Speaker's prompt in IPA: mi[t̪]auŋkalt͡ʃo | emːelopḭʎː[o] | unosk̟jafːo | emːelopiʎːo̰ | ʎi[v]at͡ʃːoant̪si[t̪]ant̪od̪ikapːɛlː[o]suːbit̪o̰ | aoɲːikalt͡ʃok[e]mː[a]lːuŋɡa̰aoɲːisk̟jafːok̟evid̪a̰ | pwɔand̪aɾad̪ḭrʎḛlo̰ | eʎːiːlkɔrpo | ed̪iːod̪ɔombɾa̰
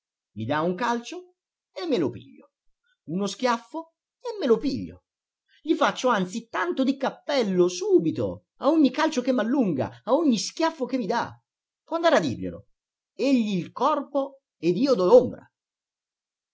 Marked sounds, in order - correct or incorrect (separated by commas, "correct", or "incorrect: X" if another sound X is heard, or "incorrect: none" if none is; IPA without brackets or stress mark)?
incorrect: d̪, correct, incorrect: f, correct, correct, correct, correct